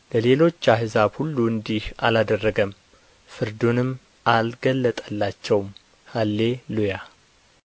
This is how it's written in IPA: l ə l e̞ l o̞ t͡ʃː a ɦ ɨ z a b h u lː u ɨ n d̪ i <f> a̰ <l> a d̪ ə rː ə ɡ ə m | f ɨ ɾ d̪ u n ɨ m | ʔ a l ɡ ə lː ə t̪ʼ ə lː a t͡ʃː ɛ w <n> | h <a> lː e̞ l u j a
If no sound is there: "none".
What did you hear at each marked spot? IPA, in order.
h, l, m, a

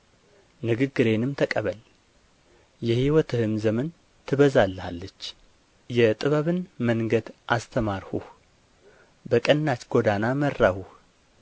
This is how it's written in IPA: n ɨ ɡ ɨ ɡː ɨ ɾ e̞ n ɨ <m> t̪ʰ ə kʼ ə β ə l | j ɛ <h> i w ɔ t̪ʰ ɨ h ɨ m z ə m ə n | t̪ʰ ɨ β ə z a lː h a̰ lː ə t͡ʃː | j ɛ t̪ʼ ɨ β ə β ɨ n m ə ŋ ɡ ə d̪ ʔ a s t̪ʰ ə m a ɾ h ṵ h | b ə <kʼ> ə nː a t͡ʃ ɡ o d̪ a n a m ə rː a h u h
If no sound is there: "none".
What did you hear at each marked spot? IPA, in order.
m, h, kʼ

